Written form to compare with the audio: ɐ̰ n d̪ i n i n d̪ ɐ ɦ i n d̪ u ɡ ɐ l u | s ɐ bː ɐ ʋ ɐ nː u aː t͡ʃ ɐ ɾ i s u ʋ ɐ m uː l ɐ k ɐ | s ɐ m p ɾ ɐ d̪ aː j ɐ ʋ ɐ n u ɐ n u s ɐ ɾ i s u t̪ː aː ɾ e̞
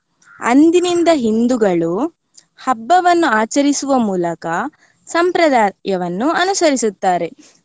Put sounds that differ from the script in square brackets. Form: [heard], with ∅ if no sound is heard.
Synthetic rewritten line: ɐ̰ n d̪ i n i n d̪ ɐ ɦ i n d̪ u ɡ ɐ [ɭ] u | [h] ɐ bː ɐ ʋ ɐ nː u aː t͡ʃ ɐ ɾ i s u ʋ ɐ m uː l ɐ k ɐ | s ɐ m p ɾ ɐ d̪ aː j ɐ ʋ ɐ [nː] u ɐ n u s ɐ ɾ i s u t̪ː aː ɾ e̞